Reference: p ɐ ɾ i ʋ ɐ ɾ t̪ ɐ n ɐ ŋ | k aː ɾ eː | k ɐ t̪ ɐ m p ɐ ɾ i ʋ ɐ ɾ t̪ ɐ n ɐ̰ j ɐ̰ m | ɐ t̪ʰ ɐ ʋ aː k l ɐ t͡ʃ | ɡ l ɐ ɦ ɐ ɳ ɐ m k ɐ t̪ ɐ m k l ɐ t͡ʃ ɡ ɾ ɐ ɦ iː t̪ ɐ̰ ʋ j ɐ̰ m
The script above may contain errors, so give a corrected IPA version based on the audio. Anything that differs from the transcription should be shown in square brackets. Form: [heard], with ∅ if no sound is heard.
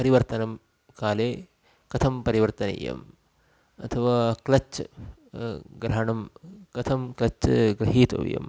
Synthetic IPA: p ɐ ɾ i ʋ ɐ ɾ t̪ ɐ n ɐ [m] | k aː [l] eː | k ɐ [t̪ʰ] ɐ m p ɐ ɾ i ʋ ɐ ɾ t̪ ɐ n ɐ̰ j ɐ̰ m | ɐ t̪ʰ ɐ ʋ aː k l ɐ t͡ʃ | ɡ [ɾ] ɐ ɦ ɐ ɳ ɐ m k ɐ [t̪ʰ] ɐ m k l ɐ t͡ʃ ɡ ɾ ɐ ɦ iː t̪ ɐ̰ ʋ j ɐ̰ m